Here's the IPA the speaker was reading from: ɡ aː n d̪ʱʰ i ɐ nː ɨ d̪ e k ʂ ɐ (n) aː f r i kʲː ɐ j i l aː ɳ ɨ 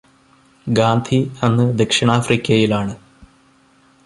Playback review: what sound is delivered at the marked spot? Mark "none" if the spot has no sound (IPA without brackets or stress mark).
ɳ